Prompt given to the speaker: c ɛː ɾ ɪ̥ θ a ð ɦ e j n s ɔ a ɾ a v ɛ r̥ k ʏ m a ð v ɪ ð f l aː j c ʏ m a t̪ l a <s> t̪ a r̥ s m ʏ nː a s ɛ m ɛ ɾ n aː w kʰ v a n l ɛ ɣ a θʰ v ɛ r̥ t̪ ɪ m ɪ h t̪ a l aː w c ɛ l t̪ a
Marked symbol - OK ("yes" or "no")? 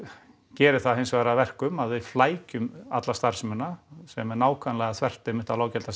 yes